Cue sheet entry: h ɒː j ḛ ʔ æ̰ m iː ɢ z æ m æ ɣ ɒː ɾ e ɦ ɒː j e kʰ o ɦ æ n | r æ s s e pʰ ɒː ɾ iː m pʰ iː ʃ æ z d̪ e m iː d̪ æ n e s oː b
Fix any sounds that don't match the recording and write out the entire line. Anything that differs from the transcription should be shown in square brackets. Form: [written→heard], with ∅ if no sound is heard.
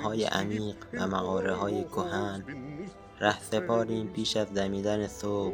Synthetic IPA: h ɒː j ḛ ʔ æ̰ m iː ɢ [z→v] æ m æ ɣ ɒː ɾ e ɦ ɒː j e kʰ o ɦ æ n | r æ [s→h] s e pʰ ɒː ɾ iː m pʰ iː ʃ æ z d̪ [e→æ] m iː d̪ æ n e s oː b